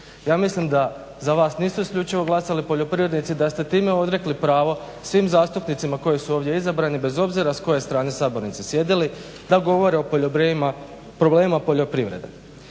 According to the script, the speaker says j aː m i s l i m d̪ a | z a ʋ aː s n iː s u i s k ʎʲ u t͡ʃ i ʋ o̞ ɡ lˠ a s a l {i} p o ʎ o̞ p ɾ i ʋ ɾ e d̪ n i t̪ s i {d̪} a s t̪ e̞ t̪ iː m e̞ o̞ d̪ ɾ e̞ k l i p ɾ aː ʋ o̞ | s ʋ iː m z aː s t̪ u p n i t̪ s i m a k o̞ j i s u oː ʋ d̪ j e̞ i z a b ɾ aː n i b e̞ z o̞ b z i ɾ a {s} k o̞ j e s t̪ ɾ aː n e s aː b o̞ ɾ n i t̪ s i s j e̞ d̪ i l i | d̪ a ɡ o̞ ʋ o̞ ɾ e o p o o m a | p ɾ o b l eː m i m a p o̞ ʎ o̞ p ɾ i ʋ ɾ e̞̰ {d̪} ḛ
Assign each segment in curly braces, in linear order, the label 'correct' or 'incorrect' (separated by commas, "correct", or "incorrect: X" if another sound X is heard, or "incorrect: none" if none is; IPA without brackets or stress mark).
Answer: correct, correct, correct, correct